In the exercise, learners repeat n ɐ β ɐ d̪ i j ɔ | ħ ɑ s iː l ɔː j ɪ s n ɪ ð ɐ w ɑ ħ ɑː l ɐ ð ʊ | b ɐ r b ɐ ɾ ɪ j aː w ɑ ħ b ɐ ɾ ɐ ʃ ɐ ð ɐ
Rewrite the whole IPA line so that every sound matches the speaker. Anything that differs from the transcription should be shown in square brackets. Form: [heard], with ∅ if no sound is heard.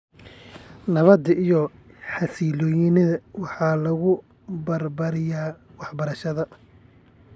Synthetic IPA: n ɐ β ɐ d̪ i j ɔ | ħ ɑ s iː l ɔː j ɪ [∅] n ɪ ð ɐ w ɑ ħ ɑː l ɐ [ɣ] ʊ | b ɐ r b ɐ ɾ ɪ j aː w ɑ ħ b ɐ ɾ ɐ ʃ ɐ ð ɐ

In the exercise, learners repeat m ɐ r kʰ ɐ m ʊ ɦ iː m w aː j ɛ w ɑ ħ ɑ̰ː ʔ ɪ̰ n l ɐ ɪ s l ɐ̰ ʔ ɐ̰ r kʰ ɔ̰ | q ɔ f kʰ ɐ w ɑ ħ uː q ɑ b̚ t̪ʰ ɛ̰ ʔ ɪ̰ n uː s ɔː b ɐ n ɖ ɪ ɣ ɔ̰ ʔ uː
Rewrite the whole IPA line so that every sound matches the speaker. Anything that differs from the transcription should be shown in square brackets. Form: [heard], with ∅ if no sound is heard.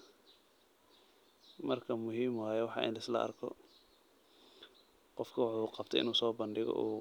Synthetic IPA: m ɐ r kʰ ɐ m ʊ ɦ iː m w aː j ɛ w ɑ ħ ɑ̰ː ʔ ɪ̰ n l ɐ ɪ s l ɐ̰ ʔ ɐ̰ r kʰ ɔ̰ | q ɔ f kʰ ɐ w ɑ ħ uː q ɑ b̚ t̪ʰ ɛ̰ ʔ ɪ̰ n uː s ɔː b ɐ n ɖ ɪ ɣ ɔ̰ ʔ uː

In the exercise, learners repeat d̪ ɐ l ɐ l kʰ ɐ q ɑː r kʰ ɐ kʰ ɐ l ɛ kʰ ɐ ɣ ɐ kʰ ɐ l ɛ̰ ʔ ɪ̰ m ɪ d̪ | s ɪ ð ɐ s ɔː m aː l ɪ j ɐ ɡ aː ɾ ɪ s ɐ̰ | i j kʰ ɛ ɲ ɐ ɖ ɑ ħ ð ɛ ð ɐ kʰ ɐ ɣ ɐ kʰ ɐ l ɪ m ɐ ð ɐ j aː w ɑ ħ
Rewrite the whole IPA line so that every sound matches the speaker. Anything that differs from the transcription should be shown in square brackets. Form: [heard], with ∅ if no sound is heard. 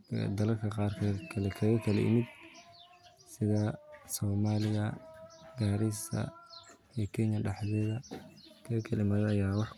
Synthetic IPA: d̪ ɐ l ɐ l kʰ ɐ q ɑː r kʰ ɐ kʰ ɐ l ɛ kʰ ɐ ɣ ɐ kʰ ɐ l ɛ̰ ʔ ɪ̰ m ɪ d̪ | s ɪ ð ɐ s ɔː m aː l ɪ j ɐ ɡ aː ɾ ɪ s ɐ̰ | i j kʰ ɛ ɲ ɐ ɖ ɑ ħ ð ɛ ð ɐ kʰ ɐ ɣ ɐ kʰ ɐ l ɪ m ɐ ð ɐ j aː w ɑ ħ

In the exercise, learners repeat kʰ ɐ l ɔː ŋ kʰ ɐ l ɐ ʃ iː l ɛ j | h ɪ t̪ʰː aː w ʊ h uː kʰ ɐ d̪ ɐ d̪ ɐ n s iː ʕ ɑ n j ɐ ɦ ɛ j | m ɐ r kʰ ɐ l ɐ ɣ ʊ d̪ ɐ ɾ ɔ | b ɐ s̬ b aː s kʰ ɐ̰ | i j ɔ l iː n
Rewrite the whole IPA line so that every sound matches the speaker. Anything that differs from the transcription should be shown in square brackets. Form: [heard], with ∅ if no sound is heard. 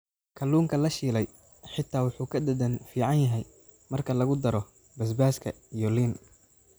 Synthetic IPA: kʰ ɐ l [uː] ŋ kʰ ɐ l ɐ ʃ iː l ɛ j | [ħ] ɪ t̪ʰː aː w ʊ [ħ] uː kʰ ɐ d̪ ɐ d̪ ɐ n [f] iː ʕ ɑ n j ɐ ɦ ɛ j | m ɐ r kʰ ɐ l ɐ ɣ ʊ d̪ ɐ ɾ ɔ | b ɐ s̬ b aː s kʰ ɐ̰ | i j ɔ l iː n

